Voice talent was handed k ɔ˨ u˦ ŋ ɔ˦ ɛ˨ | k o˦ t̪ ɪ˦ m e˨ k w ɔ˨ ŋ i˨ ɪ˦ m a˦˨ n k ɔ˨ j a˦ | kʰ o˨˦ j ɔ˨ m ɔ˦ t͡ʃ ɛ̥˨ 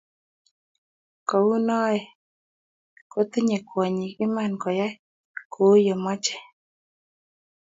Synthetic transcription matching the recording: k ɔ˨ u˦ n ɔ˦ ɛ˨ | k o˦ t̪ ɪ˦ ɲ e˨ k w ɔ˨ ɲ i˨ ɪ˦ m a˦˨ n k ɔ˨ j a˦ | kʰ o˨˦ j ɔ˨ m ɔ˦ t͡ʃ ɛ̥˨